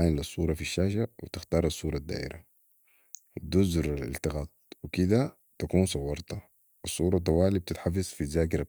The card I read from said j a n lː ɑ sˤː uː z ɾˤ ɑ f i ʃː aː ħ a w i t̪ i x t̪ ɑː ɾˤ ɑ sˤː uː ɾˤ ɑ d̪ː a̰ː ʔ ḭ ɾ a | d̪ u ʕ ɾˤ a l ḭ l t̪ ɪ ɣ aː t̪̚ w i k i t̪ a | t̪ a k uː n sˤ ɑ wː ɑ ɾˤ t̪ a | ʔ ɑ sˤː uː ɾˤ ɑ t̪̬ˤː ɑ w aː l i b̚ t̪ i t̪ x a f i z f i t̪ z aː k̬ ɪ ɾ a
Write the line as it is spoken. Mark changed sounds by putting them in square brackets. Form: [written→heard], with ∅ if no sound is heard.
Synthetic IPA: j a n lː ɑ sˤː uː [z→∅] ɾˤ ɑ f i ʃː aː [ħ→ʃ] a w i t̪ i x t̪ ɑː ɾˤ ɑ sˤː uː ɾˤ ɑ d̪ː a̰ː ʔ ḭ ɾ a | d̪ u [ʕ→z] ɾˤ a l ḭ l t̪ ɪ ɣ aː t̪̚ w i k i [t̪→d̪] a | t̪ a k uː n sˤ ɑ wː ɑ ɾˤ t̪ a | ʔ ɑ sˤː uː ɾˤ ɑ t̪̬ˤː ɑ w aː l i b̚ t̪ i t̪ [x→ħ] a f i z f i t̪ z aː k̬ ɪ ɾ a